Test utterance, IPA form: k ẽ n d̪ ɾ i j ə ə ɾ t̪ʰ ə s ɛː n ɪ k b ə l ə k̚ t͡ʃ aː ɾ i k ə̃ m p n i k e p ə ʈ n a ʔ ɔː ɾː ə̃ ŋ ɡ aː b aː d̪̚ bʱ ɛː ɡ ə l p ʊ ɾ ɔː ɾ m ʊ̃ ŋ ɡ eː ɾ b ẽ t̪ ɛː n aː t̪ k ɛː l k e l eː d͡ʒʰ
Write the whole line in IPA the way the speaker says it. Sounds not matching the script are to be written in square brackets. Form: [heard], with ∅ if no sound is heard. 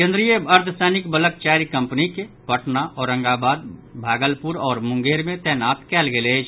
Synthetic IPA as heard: k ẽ n d̪ ɾ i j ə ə ɾ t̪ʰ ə s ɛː n ɪ k b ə l ə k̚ t͡ʃ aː ɾ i k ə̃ m p n i k e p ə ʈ n a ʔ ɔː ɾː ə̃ ŋ ɡ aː b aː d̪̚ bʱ [aː] ɡ ə l p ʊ ɾ ɔː ɾ m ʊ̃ ŋ ɡ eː ɾ [m] ẽ t̪ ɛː n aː t̪ k ɛː l [ɡ] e l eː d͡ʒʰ

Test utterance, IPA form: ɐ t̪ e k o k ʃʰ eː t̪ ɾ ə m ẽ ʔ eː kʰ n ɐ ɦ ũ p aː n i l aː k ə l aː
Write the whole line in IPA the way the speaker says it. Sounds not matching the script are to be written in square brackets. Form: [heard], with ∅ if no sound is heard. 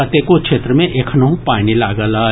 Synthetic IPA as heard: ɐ t̪ e k o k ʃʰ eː t̪ ɾ ə m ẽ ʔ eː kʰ n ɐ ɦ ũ p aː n i l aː [ɡ] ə l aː

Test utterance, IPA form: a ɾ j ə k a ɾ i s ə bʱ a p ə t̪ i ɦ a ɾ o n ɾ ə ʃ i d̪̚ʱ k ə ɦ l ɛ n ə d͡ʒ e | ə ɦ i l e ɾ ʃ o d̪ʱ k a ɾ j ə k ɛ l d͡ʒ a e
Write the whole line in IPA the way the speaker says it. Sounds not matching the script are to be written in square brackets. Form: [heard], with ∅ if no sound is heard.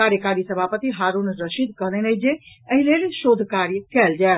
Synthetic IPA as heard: a ɾ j ə k a ɾ i s ə bʱ a p ə t̪ i ɦ a ɾ [u] n ɾ ə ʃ i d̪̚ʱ k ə ɦ l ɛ n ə d͡ʒ e | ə ɦ i l e [l] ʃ o d̪ʱ k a ɾ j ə k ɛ l d͡ʒ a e

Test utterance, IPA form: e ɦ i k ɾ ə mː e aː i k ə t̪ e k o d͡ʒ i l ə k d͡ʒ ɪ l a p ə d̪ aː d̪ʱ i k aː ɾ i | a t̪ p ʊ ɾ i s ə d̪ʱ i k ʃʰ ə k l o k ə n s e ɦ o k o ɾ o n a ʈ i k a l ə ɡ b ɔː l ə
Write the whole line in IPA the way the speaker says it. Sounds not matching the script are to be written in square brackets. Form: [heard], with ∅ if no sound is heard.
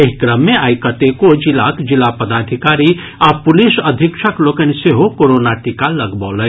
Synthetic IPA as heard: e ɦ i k ɾ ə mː e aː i k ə t̪ e k o d͡ʒ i l [a] k d͡ʒ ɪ l a p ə d̪ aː d̪ʱ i k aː ɾ i | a [∅] p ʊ [l] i s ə d̪ʱ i k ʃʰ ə k l o k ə n s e ɦ o k o ɾ o n a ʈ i k a l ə ɡ b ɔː l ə

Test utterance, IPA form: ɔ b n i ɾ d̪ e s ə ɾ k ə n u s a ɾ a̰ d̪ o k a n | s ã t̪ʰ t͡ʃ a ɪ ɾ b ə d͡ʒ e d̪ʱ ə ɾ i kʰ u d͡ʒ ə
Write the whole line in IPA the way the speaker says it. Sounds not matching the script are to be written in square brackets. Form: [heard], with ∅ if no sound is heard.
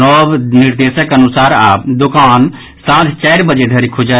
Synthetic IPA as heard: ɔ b n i ɾ d̪ e s ə [∅] k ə n u s a ɾ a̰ d̪ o k a n | s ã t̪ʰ t͡ʃ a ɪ ɾ b ə d͡ʒ e d̪ʱ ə ɾ i kʰ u d͡ʒ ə

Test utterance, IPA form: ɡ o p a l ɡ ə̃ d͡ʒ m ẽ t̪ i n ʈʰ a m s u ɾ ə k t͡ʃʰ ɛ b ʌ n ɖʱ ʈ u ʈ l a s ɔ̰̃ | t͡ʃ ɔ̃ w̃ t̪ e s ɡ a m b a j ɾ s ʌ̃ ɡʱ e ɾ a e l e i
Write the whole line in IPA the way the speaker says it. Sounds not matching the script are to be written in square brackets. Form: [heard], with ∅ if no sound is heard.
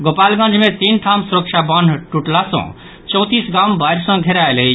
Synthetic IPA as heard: ɡ o p a l ɡ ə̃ d͡ʒ m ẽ t̪ i n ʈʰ a m s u ɾ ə k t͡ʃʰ [a] b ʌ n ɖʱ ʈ u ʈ l a s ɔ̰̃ | t͡ʃ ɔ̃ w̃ t̪ [i] s ɡ a m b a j ɾ s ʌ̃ ɡʱ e ɾ a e l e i

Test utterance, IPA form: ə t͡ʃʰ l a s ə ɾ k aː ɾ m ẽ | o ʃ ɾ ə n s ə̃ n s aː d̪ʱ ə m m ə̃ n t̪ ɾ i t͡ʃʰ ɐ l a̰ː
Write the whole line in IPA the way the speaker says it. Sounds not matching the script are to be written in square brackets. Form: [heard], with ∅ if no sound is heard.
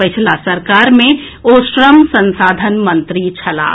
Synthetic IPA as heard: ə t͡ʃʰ l a s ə ɾ k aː ɾ m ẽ | o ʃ ɾ ə [m] s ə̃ n s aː d̪ʱ ə [n] m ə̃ n t̪ ɾ i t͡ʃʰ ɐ l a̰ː

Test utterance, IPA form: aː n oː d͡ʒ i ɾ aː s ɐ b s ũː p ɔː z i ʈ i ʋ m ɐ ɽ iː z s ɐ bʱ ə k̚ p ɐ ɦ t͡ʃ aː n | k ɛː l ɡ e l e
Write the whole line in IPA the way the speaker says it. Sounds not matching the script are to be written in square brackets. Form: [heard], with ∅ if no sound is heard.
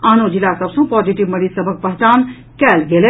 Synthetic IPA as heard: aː n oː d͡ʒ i [l] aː s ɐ b s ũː p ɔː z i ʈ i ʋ m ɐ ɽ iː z s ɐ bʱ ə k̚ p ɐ ɦ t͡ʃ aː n | k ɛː l ɡ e l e

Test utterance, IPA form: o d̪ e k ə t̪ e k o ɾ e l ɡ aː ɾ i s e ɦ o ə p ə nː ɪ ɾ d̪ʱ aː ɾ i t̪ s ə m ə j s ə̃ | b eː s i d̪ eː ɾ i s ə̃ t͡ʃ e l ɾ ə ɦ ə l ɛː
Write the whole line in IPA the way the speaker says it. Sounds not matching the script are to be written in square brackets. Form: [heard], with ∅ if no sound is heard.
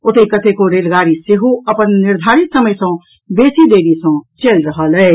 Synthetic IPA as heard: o [t̪] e k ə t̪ e k o ɾ e l ɡ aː ɾ i s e ɦ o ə p ə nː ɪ ɾ d̪ʱ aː ɾ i t̪ s ə m ə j s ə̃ | b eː s i d̪ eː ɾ i s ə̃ t͡ʃ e l ɾ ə ɦ ə l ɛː

